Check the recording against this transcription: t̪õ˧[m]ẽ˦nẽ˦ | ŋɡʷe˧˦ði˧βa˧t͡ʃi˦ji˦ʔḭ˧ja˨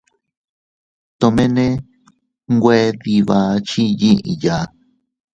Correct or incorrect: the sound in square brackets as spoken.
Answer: correct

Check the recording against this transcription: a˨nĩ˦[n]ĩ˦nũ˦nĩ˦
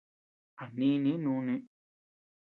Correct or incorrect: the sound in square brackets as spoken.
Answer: correct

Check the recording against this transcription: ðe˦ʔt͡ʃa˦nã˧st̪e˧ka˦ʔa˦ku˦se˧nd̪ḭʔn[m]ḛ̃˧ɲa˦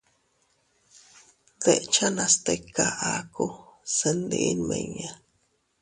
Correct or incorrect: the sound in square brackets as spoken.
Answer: correct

